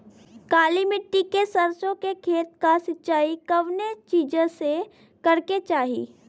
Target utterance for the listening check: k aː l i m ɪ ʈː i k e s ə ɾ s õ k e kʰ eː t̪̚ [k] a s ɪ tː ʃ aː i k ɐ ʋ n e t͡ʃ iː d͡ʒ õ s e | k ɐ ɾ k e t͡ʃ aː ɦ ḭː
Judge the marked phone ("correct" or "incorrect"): correct